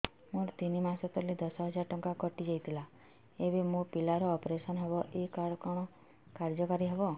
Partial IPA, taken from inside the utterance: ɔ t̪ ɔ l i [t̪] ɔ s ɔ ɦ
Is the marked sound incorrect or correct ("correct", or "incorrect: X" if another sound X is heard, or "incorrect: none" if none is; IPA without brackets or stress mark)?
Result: incorrect: d̪